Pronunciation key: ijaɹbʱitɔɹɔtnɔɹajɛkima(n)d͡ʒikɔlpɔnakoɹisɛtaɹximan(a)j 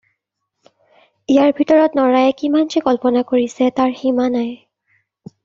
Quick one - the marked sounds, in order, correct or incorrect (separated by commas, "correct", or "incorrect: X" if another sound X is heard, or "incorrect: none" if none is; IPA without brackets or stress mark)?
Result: correct, correct